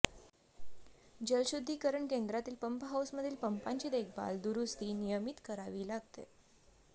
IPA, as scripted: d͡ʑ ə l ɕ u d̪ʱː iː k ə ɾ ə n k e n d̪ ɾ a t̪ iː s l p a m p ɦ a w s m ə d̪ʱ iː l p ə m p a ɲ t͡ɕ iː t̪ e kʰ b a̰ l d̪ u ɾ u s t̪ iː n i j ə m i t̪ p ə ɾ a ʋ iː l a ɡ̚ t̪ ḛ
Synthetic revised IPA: d͡ʑ ə l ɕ u d̪ʱː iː k ə ɾ ə ɳ k e n d̪ ɾ a t̪ iː l p ə m p ɦ a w s m ə d̪ʱ iː l p ə m p a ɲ t͡ɕ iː d̪ e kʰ b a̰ l d̪ u ɾ u s t̪ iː n i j ə m i t̪ k ə ɾ a ʋ iː l a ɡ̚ t̪ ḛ